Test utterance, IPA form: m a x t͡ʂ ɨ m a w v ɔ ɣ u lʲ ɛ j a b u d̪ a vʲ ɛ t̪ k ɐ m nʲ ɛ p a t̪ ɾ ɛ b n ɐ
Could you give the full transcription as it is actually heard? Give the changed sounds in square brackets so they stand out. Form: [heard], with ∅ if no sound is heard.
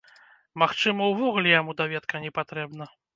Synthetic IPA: m a x t͡ʂ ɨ m [ɐ] w v ɔ ɣ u lʲ ɛ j a [m] u d̪ a vʲ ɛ t̪ k ɐ [∅] nʲ ɛ p a t̪ ɾ ɛ b n ɐ

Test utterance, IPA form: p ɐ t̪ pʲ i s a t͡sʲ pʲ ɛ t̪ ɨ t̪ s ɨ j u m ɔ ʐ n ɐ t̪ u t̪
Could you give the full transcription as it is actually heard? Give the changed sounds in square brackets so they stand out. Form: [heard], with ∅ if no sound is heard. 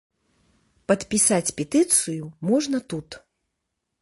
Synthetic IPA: p ɐ t̪ pʲ i s a t͡sʲ pʲ ɛ t̪ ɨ t̪ s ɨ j u m ɔ ʐ n ɐ t̪ u t̪

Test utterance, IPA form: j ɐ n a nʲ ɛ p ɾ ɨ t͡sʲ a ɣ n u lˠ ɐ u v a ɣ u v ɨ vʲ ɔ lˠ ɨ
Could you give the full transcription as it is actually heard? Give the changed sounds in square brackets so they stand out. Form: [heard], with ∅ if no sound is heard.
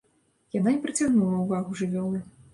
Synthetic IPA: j [a] n a nʲ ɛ p ɾ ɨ t͡sʲ a ɣ n u lˠ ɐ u v a ɣ u [ʐ] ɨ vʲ ɔ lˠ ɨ

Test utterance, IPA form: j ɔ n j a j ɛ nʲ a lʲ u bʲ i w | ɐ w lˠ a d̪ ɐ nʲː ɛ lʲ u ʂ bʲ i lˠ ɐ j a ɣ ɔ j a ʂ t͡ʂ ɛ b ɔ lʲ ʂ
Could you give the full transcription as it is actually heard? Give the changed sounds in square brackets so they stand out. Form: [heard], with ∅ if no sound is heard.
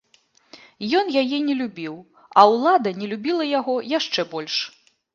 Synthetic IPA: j ɔ n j a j ɛ nʲ [ɛ] lʲ u bʲ i w | ɐ w lˠ a d̪ ɐ [nʲ] ɛ lʲ u [∅] bʲ i lˠ ɐ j a ɣ ɔ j a ʂ t͡ʂ ɛ b ɔ lʲ ʂ

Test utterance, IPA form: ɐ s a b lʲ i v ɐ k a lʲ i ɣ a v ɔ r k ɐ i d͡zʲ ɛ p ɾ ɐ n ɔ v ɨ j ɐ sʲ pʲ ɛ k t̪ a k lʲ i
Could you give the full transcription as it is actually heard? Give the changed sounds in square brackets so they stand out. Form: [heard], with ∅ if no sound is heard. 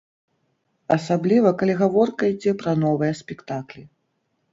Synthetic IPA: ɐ s a b lʲ i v ɐ k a lʲ i ɣ a v ɔ r k ɐ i d͡zʲ ɛ p ɾ ɐ n ɔ v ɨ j ɐ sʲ pʲ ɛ k t̪ a k lʲ i

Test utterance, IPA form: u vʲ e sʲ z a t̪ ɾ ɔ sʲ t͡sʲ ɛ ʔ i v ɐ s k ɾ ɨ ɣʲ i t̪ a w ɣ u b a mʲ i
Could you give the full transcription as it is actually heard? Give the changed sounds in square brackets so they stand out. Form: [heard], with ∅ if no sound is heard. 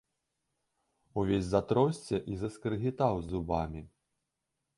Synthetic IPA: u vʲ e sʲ z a t̪ ɾ ɔ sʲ t͡sʲ ɛ ʔ i [z] ɐ s k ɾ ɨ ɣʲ i t̪ a w [z] u b a mʲ i

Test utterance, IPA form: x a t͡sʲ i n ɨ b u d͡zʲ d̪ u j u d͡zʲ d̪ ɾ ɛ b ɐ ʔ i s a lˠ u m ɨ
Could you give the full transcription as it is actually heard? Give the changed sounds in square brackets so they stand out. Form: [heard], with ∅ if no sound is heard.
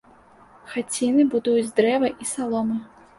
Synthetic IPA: x a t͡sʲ i n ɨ b u [∅] d̪ u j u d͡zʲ d̪ ɾ ɛ [v] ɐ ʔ i s a lˠ [ɔ] m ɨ

